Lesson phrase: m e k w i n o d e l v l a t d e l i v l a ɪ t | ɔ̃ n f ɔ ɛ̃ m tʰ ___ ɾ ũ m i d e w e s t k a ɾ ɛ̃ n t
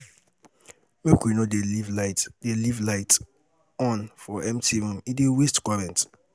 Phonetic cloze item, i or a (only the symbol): i